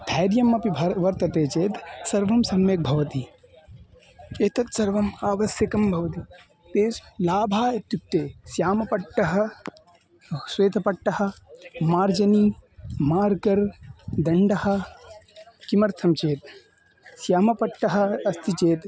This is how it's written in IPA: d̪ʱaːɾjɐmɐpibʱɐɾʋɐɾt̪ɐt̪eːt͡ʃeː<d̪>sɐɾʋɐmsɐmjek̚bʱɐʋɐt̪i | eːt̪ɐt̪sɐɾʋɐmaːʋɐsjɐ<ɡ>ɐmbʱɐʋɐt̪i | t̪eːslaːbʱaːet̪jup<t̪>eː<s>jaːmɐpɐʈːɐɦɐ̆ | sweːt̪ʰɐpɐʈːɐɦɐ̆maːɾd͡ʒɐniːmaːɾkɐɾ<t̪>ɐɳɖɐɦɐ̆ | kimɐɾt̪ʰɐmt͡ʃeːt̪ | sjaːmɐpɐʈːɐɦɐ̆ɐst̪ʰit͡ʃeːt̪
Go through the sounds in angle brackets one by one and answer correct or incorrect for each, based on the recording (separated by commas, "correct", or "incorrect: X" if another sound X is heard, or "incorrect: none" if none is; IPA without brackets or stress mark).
incorrect: t̪, incorrect: k, correct, correct, incorrect: d̪